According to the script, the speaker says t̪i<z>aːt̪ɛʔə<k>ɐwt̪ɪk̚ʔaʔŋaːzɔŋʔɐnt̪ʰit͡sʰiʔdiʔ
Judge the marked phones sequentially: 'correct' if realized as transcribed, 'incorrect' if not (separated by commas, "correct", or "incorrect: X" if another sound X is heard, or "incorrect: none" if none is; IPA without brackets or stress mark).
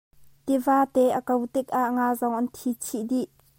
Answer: incorrect: v, correct